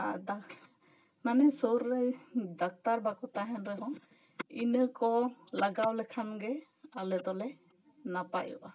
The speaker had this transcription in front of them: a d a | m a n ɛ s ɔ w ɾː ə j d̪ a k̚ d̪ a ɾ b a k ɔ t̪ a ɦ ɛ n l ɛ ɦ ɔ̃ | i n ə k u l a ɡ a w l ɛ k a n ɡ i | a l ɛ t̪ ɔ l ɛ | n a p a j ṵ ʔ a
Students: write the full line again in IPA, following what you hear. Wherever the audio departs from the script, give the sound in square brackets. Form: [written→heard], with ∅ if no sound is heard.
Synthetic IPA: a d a | m a n ɛ s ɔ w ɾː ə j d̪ a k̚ [d̪→t̪] a ɾ b a k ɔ t̪ a ɦ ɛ n [l→ɾ] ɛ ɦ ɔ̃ | i n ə k [u→ɔ] l a ɡ a w l ɛ [k→kʰ] a n ɡ [i→ɛ] | a l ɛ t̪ ɔ l ɛ | n a p a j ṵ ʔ a